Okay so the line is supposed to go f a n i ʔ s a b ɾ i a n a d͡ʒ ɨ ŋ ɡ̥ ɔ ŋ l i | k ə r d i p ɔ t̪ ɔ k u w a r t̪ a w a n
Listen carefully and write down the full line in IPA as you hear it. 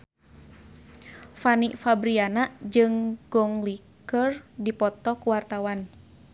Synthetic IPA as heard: f a n i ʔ f a b ɾ i a n a d͡ʒ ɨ ŋ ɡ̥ ɔ ŋ l i | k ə r d i p ɔ t̪ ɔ k u w a r t̪ a w a n